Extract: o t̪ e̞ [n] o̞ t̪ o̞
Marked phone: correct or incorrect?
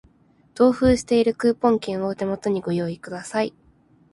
incorrect